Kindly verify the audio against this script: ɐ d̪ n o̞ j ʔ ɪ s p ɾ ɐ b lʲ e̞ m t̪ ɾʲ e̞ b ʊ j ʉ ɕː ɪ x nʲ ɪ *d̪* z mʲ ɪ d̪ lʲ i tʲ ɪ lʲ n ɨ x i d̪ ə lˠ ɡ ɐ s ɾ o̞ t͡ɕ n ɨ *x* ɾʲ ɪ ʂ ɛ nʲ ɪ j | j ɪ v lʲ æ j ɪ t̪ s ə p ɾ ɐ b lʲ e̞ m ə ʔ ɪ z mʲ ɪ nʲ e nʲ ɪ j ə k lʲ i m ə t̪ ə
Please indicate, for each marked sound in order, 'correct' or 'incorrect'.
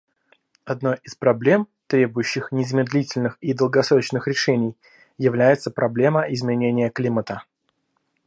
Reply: incorrect: none, correct

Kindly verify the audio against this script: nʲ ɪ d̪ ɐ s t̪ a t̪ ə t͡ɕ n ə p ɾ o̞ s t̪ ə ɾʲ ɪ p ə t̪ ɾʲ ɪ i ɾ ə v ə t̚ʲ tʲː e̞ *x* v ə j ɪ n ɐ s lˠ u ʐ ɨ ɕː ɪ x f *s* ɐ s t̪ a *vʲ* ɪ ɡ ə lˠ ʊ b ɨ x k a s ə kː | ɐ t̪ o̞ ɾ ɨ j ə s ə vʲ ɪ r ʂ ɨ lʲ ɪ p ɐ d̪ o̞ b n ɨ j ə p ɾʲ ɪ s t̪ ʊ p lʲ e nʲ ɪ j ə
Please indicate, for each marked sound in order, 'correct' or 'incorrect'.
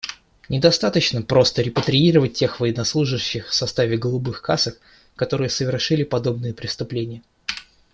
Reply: correct, correct, correct

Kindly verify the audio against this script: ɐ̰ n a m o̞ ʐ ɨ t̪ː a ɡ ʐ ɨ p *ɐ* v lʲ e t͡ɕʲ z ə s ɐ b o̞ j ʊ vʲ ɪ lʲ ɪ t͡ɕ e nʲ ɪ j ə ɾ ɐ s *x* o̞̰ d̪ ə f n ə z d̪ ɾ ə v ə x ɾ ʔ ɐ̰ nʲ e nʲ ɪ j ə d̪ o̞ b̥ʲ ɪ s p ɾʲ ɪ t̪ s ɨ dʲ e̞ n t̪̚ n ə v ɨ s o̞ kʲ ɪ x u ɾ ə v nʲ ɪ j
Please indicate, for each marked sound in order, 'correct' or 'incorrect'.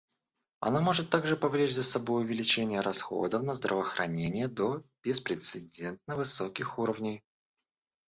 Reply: correct, correct

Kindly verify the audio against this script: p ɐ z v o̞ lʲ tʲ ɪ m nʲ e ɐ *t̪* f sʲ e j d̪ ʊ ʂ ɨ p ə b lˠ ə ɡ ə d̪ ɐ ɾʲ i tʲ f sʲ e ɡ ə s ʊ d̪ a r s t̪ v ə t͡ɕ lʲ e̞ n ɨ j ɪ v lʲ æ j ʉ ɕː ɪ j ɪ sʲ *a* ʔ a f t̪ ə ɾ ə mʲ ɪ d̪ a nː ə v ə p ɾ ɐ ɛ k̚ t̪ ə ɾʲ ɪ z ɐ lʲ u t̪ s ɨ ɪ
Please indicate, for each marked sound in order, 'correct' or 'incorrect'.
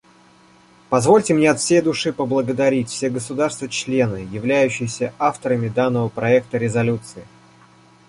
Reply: correct, incorrect: ə

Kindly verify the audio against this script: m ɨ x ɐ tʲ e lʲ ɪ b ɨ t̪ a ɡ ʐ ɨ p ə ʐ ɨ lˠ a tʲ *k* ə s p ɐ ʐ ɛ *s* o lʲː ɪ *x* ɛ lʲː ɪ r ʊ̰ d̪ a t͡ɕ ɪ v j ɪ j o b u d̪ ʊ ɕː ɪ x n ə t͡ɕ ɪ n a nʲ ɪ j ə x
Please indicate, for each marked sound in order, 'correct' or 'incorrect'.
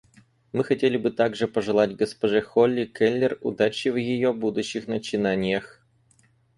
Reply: incorrect: ɡ, incorrect: x, incorrect: k

